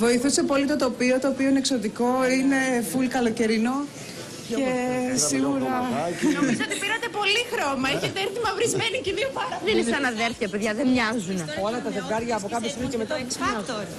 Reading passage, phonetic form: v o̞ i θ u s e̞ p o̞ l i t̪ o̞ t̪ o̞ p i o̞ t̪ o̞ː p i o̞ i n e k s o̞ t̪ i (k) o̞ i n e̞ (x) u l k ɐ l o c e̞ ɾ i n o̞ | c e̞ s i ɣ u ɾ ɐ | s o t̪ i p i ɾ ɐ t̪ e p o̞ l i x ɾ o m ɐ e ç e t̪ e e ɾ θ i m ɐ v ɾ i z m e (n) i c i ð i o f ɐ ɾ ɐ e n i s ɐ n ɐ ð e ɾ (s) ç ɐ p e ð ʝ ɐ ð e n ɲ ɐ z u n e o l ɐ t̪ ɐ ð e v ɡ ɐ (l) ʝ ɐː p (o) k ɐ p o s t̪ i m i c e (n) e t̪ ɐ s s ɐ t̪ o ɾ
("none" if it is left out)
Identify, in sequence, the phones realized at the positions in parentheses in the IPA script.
k, f, n, θ, ɾ, o, m

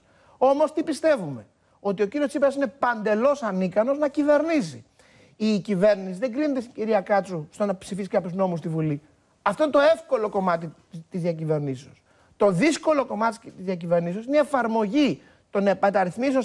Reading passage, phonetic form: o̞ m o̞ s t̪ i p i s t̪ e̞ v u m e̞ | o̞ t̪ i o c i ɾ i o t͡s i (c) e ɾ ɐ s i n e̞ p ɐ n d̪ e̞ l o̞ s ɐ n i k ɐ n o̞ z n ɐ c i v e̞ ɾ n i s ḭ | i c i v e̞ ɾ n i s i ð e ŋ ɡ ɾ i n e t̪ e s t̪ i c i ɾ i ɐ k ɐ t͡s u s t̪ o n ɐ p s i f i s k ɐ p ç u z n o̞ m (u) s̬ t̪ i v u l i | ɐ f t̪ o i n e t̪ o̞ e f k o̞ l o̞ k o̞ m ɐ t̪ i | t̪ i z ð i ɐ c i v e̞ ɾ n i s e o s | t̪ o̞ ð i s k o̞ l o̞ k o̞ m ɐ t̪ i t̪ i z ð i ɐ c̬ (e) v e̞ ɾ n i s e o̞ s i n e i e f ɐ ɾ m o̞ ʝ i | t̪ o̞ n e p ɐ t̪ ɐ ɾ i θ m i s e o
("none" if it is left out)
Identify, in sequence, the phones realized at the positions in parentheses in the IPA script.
p, u, i

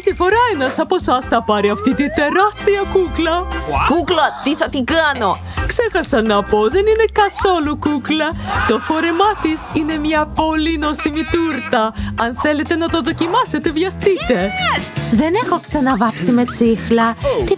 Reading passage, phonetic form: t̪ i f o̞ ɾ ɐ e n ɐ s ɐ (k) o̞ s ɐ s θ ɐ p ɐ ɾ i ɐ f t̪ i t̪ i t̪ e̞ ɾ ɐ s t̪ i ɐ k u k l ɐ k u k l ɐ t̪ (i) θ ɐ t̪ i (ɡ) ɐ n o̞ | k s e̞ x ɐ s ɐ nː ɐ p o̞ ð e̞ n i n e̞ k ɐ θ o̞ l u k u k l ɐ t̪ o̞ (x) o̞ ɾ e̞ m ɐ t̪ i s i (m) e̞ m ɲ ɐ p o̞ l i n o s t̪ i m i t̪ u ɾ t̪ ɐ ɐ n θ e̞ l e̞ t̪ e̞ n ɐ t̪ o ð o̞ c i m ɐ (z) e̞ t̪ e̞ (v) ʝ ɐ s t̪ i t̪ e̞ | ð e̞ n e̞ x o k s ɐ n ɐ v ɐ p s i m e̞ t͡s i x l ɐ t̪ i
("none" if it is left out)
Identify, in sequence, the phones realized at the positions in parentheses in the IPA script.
p, i, ɡ, f, n, s, v

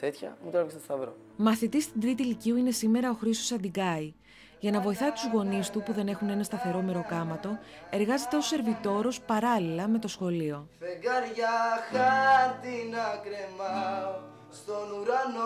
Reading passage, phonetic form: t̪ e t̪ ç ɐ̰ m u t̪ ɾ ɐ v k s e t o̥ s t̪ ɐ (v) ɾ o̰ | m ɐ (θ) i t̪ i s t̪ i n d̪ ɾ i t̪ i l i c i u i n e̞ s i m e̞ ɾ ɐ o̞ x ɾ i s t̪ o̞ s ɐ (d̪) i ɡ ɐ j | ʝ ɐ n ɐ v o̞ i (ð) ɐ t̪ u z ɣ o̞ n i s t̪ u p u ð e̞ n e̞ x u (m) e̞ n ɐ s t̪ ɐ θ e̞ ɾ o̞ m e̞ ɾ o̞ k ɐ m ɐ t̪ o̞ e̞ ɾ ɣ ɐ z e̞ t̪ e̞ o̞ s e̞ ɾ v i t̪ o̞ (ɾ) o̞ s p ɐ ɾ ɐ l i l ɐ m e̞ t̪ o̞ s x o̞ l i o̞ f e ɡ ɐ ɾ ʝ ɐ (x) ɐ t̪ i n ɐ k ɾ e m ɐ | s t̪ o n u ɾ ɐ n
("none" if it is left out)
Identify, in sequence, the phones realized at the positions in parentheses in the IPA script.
v, θ, d̪, θ, n, ɾ, x

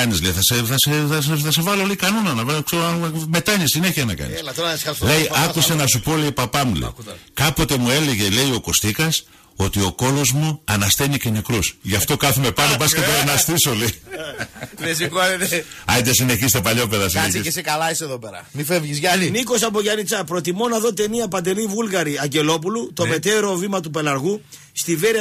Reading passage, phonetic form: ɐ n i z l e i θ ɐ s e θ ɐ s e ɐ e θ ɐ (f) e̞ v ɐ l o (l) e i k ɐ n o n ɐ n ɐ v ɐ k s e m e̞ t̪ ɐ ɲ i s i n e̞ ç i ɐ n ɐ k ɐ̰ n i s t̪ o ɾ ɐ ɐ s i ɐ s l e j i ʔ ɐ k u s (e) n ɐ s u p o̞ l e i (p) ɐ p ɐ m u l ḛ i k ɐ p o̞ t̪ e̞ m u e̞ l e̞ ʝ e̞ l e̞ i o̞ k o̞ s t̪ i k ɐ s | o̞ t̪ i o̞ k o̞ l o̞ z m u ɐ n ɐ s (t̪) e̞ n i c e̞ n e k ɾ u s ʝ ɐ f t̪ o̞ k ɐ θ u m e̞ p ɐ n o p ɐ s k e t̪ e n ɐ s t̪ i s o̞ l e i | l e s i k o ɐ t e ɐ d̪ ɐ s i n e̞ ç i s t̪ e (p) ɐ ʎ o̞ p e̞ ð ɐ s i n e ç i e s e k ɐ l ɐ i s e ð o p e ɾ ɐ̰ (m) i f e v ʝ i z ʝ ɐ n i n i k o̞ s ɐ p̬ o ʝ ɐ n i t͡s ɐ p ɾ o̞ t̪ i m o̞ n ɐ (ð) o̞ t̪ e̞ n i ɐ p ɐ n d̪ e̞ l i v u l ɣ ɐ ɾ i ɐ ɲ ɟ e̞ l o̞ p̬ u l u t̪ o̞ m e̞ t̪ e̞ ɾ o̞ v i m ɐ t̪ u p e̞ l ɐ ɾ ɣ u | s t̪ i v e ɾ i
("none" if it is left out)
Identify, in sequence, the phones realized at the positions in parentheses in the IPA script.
s, l, e, p, t̪, p, m, ð

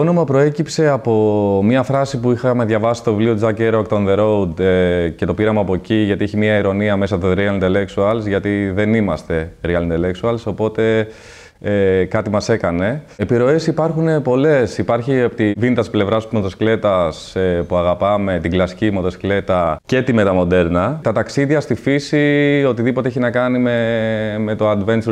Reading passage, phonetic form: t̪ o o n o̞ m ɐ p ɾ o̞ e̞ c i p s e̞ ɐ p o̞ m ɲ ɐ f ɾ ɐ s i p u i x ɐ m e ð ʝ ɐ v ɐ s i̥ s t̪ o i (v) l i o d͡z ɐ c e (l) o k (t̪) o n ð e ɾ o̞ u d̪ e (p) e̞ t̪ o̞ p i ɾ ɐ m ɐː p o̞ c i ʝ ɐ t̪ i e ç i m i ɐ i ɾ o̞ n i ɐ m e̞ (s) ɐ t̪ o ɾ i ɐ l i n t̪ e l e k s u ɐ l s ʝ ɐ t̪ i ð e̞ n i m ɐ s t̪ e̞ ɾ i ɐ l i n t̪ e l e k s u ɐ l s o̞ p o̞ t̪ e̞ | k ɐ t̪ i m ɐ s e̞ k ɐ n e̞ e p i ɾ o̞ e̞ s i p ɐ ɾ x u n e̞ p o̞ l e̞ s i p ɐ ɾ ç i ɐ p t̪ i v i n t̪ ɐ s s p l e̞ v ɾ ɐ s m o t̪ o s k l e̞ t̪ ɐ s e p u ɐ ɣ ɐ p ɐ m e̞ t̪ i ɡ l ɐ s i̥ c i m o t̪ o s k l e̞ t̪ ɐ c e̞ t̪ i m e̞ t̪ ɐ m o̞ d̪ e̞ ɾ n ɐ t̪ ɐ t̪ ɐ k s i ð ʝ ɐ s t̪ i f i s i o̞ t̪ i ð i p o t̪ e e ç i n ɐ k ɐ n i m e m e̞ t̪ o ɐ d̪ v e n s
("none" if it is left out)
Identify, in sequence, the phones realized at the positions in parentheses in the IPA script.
v, ɾ, t̪, c, s

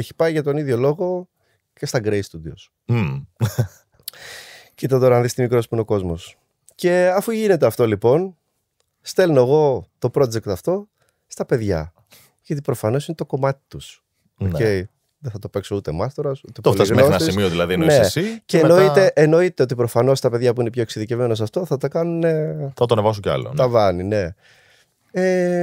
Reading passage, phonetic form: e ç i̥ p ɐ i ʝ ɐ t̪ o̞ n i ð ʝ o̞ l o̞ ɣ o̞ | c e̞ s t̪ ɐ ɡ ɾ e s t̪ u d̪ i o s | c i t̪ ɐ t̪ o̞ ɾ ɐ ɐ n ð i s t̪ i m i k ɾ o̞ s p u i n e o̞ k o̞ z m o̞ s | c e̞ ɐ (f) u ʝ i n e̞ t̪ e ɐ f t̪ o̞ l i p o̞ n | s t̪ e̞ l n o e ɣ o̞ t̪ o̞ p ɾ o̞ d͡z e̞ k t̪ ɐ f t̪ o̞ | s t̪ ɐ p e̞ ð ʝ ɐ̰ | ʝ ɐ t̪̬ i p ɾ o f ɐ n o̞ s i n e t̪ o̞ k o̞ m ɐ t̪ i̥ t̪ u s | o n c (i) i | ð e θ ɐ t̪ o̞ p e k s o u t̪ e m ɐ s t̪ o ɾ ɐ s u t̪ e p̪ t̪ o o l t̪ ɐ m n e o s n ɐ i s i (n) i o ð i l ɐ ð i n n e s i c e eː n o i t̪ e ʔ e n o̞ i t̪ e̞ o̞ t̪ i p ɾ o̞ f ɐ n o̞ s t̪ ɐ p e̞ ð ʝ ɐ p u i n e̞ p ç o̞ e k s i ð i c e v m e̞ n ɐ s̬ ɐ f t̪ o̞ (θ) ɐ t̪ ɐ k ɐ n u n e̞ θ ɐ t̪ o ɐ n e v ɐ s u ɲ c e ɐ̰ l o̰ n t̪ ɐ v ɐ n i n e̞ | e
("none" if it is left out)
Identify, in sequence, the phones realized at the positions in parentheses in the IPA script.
f, e, m, θ

